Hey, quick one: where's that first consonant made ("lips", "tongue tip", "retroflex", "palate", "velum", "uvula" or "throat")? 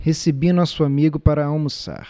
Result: throat